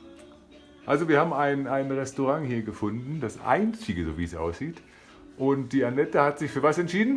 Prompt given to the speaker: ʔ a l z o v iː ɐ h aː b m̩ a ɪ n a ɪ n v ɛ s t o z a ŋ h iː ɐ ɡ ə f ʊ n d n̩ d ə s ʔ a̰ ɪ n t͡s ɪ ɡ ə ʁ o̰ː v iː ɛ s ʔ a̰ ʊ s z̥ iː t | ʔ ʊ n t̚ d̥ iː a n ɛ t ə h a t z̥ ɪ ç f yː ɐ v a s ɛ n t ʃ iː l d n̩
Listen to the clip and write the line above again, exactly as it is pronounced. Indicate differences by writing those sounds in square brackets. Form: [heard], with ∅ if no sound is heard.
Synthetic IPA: ʔ a l z o v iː ɐ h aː b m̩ a ɪ n a ɪ n [ʁ] ɛ s t o [ʁ] a ŋ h iː ɐ ɡ ə f ʊ n d n̩ d [a] s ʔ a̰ ɪ n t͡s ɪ ɡ ə [z] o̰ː v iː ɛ s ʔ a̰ ʊ s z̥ iː t | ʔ ʊ n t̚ d̥ iː a n ɛ t ə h a t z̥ ɪ ç f yː ɐ v a s ɛ n t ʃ iː [∅] d n̩